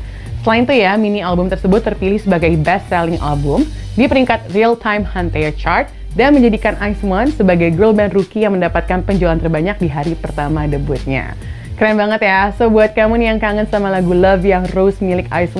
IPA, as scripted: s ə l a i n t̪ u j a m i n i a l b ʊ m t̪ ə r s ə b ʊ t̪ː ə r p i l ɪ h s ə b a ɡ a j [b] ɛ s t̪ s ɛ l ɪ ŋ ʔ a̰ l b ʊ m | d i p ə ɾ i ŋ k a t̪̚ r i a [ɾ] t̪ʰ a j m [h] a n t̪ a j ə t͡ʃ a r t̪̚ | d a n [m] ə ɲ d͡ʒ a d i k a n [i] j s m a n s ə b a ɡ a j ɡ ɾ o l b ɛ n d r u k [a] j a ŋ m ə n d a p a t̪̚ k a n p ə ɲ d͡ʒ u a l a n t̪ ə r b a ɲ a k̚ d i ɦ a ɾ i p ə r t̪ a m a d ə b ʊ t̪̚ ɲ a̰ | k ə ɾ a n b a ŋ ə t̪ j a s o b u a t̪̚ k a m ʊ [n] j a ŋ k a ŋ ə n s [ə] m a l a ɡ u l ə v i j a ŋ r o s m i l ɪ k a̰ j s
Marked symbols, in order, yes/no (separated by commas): yes, no, yes, yes, no, no, yes, no